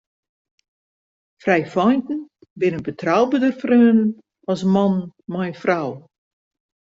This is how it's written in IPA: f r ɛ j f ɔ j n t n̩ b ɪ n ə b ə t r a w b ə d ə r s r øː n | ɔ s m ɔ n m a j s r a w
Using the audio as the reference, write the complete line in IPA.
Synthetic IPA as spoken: f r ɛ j f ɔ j n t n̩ b ɪ n ə b ə t r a w b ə d ə r f r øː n | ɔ s m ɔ n m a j f r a w